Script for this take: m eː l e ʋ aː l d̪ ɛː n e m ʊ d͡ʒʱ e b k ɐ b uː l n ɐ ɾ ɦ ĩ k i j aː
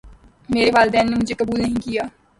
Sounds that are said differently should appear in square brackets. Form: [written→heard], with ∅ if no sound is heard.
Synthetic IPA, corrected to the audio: m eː [l→ɾ] e ʋ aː l d̪ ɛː [n→nː] e m ʊ d͡ʒʱ e [b→∅] k ɐ b uː l n ɐ [ɾ→∅] ɦ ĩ k i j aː